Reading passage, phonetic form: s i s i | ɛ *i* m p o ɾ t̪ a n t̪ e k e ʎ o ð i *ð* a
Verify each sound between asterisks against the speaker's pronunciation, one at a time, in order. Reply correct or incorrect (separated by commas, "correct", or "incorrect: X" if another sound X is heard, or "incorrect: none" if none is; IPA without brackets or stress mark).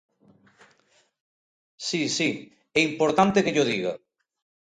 correct, incorrect: ɣ